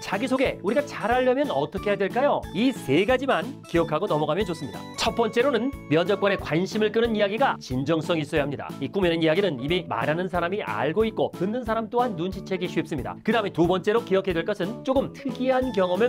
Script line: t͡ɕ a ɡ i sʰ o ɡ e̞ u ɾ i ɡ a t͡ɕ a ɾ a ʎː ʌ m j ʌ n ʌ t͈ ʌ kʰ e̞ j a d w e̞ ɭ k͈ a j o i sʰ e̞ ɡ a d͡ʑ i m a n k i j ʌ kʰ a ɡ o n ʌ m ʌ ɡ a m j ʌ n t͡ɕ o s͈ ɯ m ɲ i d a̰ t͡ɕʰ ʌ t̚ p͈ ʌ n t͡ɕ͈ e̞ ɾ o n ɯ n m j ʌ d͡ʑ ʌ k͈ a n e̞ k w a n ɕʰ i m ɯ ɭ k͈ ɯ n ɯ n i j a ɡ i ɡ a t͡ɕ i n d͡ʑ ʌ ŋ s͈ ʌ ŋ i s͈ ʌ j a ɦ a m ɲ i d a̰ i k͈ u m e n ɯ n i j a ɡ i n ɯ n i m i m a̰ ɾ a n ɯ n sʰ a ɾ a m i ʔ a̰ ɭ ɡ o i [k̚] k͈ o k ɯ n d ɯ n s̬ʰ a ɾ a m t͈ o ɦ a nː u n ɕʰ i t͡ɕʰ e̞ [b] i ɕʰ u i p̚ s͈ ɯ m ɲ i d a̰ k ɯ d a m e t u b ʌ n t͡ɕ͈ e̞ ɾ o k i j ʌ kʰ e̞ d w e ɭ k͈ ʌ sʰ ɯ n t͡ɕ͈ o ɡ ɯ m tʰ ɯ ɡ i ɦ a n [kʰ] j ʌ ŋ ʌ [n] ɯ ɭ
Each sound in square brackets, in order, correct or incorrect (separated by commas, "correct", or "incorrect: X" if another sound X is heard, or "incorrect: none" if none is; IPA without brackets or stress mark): incorrect: t̚, incorrect: ɡ, incorrect: k, incorrect: m